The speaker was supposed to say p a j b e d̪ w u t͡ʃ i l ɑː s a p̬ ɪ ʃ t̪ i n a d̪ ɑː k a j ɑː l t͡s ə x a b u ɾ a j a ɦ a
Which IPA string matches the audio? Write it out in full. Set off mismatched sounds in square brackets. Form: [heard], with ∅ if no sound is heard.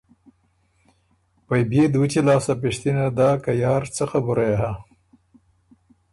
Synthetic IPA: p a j b e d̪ w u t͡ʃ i l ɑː s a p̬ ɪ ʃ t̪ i n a d̪ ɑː k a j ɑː [ɾ] t͡s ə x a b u ɾ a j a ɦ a